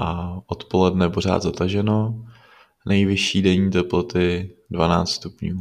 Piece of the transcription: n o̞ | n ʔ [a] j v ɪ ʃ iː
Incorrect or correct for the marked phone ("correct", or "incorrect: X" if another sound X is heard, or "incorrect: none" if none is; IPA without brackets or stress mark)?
incorrect: ɛ